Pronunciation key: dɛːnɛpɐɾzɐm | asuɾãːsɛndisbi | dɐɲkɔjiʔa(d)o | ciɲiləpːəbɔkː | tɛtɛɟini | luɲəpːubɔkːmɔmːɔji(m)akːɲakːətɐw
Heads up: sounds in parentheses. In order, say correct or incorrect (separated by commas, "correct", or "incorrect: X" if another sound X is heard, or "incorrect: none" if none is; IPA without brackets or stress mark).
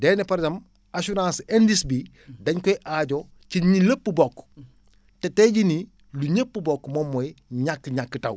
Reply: incorrect: ɟ, incorrect: ɲ